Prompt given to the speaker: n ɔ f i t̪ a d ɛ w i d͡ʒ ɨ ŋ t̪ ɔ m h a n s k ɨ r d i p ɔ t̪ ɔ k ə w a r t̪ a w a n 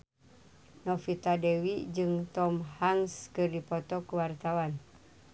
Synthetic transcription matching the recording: n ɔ f i t̪ a d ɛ w i d͡ʒ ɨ ŋ t̪ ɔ m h a ŋ s k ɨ r d i p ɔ t̪ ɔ k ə w a r t̪ a w a n